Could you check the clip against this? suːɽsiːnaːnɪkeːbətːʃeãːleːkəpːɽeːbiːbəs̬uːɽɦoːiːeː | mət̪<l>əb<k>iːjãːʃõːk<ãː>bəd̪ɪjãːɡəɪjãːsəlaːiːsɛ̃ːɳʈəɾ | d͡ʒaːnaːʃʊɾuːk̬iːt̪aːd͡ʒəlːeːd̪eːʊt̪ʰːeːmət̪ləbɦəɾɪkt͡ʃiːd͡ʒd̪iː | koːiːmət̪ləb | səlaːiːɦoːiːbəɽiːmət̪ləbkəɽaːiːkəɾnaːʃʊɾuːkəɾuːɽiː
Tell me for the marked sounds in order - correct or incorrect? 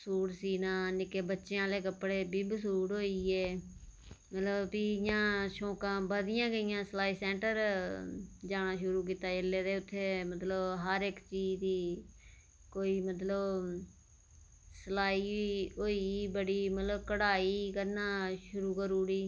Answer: correct, incorrect, correct

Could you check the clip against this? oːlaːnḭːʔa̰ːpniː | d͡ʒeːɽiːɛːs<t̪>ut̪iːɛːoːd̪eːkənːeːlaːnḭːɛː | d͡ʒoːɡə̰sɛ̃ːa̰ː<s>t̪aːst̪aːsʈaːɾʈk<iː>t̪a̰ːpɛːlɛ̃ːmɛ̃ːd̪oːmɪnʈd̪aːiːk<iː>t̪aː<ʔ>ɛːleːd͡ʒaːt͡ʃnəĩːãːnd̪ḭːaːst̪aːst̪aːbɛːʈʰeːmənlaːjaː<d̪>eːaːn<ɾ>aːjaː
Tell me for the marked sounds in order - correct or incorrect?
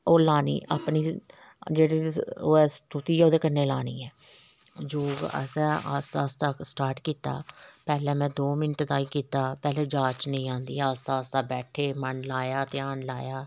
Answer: correct, correct, correct, correct, incorrect, incorrect, incorrect

